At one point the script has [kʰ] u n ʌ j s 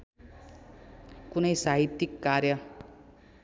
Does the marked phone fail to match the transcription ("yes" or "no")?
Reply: yes